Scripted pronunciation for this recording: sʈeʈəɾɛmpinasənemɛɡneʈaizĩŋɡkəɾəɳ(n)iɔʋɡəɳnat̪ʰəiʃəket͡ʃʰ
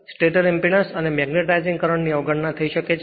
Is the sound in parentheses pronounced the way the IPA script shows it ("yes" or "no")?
yes